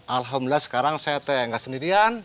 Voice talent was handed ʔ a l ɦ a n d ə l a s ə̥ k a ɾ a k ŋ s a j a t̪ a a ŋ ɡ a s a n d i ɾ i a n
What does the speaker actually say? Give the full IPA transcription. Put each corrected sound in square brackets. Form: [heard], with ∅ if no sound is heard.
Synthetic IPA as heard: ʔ a l ɦ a [m] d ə l a s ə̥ k a ɾ a [∅] ŋ s a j a t̪ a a ŋ ɡ a s [ə] n d i ɾ i a n

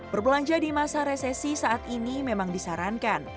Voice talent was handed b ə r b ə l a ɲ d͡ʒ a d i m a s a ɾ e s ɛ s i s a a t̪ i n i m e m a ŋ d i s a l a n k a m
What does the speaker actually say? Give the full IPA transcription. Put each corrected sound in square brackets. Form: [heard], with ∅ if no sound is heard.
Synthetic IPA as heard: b ə r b ə l a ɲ d͡ʒ a d i m a s a ɾ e s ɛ s i s a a t̪ i n i m e m a ŋ d i s a [ɾ] a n k a [n]

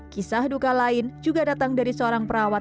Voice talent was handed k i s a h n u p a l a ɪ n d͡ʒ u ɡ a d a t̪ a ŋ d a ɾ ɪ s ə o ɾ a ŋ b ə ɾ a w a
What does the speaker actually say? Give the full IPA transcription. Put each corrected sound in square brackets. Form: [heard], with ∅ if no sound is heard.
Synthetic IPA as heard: k i s a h [d] u [k] a l a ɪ n d͡ʒ u ɡ a d a t̪ a ŋ d a ɾ [i] s ə o ɾ a ŋ [p] ə ɾ a w a

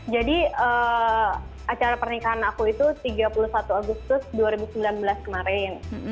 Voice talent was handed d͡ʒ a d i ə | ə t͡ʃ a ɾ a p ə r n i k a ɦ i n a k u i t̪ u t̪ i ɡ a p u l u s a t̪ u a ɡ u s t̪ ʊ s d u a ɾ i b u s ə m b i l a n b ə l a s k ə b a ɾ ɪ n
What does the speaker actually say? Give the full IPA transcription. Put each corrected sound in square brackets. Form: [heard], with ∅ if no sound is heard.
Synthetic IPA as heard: d͡ʒ a d i ə | [a] t͡ʃ a ɾ a p ə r n i k a ɦ [a] n a k u i t̪ u t̪ i ɡ a p u l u s a t̪ u a ɡ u s t̪ ʊ s d u a ɾ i b u s ə m b i l a n b ə l a s k ə [m] a ɾ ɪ n

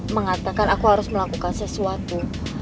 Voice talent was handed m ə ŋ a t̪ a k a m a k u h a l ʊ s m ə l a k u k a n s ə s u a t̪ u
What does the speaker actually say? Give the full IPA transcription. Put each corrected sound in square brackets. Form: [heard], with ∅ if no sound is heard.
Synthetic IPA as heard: m ə ŋ a t̪ a k a [n] a k u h a [ɾ] ʊ s m ə l a k u k a n s ə s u a t̪ u

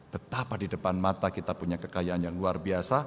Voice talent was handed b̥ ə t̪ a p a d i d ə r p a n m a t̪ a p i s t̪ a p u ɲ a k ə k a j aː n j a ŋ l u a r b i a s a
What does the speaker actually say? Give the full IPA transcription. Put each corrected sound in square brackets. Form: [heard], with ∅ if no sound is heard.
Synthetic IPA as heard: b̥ ə t̪ a p a d i d ə [∅] p a n m a t̪ a [k] i [∅] t̪ a p u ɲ a k ə k a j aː n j a ŋ l u a r b i a s a

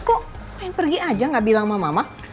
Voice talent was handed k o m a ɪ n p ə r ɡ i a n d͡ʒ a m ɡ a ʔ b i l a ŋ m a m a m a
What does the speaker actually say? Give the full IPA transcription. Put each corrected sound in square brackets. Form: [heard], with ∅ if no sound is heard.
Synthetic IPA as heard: k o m a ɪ n p ə r ɡ i a [∅] d͡ʒ a [ŋ] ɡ a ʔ b i l a ŋ m a m a m a

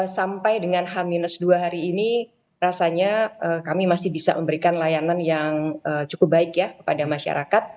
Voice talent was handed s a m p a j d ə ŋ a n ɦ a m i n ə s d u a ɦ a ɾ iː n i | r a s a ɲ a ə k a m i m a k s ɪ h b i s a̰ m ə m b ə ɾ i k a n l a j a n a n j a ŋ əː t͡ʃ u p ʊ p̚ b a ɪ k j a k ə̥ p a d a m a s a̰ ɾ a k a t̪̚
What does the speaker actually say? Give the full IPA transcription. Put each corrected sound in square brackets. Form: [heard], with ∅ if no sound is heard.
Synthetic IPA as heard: s a m p a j d ə ŋ a n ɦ a m i n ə s d u a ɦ a ɾ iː n i | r a s a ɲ a ə k a m i m a [∅] s ɪ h b i s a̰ m ə m b ə ɾ i k a n l a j a n a n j a ŋ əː t͡ʃ u [k] ʊ p̚ b a ɪ k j a k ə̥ p a d a m a [ʃ] a̰ ɾ a k a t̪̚

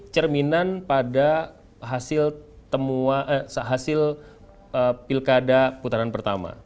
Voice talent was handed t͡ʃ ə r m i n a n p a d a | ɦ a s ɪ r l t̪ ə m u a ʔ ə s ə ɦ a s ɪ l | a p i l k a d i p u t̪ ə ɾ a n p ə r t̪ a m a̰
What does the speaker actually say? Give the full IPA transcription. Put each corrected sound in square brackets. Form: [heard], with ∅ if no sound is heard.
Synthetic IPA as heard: t͡ʃ ə r m i n a n p a d a | ɦ a s ɪ [∅] l t̪ ə m u a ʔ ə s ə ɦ a s ɪ l | [ə] p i l k a d [a] p u t̪ [a] ɾ a n p ə r t̪ a m a̰

